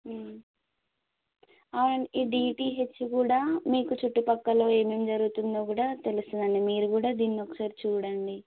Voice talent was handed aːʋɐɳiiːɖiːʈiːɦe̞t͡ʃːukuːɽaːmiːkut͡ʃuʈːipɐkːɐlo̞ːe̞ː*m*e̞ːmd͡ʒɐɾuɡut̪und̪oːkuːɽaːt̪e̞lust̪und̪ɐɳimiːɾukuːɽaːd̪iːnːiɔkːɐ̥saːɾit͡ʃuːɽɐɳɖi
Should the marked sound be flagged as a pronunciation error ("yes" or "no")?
no